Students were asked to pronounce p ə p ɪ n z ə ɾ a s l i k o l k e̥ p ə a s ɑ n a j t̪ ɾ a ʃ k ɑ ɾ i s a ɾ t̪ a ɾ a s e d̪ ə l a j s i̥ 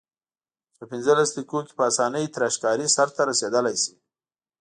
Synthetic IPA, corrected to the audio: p ə p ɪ n z ə l a s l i k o k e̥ p ə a s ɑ n ə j t̪ ɾ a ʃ k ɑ ɾ i s a ɾ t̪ a ɾ a s e d̪ ə l a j s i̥